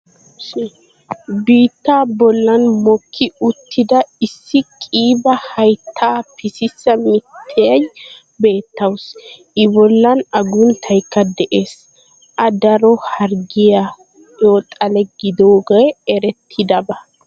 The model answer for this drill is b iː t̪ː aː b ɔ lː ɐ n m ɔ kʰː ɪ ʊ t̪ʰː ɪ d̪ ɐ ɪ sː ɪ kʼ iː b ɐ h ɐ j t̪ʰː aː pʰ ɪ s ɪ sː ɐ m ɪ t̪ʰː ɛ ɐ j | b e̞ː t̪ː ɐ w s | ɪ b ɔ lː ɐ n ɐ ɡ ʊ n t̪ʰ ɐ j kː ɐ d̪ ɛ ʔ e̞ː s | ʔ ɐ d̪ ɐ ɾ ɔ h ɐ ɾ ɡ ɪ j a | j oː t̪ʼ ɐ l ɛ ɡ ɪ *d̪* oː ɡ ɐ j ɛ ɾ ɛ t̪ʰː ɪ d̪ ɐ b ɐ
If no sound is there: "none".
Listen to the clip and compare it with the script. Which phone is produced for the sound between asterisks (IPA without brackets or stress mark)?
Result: d̪